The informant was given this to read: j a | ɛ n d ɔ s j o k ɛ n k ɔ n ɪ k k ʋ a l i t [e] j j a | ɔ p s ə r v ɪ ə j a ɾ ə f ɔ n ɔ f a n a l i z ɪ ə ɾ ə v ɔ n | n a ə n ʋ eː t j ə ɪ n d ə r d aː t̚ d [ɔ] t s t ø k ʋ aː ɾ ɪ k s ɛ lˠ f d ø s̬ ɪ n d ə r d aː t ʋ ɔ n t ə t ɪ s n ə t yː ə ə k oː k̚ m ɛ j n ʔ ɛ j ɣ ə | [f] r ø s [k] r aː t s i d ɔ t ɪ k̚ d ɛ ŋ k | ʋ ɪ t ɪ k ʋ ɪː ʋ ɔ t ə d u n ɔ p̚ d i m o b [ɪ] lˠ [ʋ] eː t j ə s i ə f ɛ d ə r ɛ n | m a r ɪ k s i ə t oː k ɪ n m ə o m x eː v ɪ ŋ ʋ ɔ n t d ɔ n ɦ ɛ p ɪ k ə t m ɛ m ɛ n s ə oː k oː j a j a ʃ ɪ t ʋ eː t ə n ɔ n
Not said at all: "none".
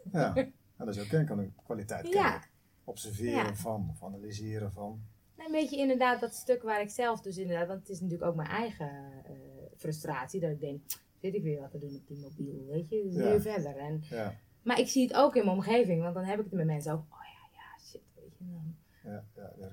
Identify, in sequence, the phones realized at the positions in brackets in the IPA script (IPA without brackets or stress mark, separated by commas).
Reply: ɛ, ɔ, f, t, i, ʋ